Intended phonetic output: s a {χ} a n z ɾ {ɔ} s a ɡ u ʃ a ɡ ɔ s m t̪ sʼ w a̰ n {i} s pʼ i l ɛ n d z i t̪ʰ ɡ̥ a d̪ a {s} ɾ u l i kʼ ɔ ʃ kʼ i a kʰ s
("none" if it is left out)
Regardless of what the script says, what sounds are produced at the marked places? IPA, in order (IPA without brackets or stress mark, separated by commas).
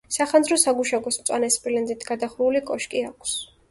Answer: χ, ɔ, ɛ, χ